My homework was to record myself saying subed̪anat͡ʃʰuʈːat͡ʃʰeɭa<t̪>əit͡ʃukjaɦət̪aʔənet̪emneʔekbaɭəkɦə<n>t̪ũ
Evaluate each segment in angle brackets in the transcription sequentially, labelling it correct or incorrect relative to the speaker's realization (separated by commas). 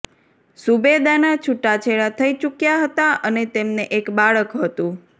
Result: incorrect, incorrect